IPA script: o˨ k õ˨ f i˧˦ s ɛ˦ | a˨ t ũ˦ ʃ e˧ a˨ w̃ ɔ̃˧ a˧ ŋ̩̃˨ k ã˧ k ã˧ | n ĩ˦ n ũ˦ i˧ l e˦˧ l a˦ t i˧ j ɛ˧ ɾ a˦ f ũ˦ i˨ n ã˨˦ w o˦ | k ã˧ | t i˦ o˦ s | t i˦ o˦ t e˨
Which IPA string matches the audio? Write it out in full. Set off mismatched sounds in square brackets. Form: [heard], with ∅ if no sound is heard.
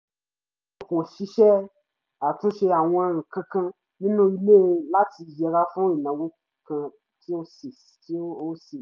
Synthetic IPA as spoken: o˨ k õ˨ [ʃ] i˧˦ [ʃ] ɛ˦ | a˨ t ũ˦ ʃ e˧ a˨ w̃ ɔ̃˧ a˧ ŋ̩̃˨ k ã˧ k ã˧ | n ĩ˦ n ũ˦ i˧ l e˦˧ l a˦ t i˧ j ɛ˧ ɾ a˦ f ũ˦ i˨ n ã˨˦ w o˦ | k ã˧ | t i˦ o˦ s | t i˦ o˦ [s] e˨